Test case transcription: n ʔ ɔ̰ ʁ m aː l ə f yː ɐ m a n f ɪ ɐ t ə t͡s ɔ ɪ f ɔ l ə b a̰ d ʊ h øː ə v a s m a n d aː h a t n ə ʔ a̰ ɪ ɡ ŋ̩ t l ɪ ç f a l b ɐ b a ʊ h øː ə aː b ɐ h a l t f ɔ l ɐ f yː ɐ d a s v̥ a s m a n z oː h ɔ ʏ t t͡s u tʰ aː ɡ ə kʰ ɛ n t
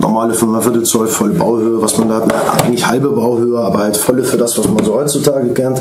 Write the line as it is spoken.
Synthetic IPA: n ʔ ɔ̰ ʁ m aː l ə f yː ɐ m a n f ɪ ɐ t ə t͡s ɔ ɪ f ɔ l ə b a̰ ʊ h øː ə v a s m a n d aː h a t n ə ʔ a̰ ɪ ɡ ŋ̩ t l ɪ ç h a l b ə b a ʊ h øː ə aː b ɐ h a l t f ɔ l ə f yː ɐ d a s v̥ a s m a n z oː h ɔ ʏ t t͡s u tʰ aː ɡ ə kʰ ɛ n t